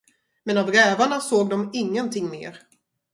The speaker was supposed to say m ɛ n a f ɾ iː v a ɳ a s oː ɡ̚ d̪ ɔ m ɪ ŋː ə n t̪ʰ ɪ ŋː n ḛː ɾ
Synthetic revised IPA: m ɛ n a v ɾ ɛː v a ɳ a s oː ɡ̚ d̪ ɔ m ɪ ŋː ə n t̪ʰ ɪ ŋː m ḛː ɾ